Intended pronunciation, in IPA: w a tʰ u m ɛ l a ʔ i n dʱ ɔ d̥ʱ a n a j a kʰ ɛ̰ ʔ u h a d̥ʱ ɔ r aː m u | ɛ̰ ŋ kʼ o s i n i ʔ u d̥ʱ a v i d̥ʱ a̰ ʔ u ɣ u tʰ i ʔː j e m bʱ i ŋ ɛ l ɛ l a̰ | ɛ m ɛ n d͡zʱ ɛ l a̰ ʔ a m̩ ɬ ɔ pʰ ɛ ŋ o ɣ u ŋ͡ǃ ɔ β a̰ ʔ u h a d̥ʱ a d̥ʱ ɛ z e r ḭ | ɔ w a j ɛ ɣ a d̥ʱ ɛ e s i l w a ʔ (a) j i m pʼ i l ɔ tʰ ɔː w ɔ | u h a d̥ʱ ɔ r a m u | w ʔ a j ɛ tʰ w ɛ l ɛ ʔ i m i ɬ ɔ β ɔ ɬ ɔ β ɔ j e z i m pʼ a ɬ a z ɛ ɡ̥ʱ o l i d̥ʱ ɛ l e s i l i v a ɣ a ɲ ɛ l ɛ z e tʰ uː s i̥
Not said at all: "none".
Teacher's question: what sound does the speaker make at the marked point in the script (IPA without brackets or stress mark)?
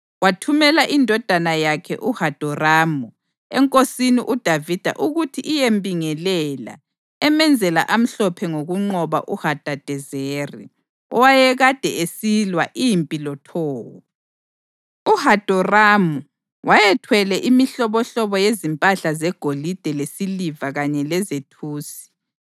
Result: i